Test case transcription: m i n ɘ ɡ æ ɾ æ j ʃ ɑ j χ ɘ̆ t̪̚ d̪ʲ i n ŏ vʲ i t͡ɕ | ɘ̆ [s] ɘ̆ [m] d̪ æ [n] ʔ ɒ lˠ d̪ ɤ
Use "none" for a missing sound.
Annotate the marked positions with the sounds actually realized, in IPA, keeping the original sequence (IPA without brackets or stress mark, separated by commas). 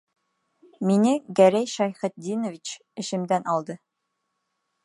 ʃ, m, n